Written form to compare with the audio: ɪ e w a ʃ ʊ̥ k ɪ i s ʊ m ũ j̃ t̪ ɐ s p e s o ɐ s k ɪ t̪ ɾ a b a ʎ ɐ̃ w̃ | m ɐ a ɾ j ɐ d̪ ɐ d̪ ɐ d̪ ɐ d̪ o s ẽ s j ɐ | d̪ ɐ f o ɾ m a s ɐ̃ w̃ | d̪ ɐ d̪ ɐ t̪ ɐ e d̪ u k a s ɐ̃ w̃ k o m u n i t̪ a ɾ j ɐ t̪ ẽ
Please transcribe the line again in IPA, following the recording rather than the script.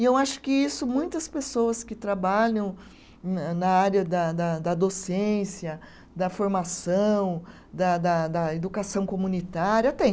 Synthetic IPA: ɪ e w a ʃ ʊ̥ k ɪ i s ʊ m ũ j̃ t̪ ɐ s p e s o ɐ s k ɪ t̪ ɾ a b a ʎ ɐ̃ w̃ | n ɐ a ɾ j ɐ d̪ ɐ d̪ ɐ d̪ ɐ d̪ o s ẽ s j ɐ | d̪ ɐ f o ɾ m a s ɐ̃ w̃ | d̪ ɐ d̪ ɐ d̪ ɐ e d̪ u k a s ɐ̃ w̃ k o m u n i t̪ a ɾ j ɐ t̪ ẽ